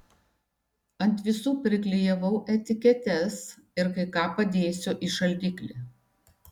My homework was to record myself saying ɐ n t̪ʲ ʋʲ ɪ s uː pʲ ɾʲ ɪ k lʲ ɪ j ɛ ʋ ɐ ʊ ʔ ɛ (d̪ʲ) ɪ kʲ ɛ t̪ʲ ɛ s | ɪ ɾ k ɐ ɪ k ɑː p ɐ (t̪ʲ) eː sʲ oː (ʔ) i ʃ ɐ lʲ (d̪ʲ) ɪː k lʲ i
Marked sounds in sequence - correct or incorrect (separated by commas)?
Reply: incorrect, incorrect, correct, correct